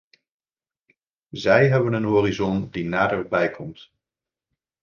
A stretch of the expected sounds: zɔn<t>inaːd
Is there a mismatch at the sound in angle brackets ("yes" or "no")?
yes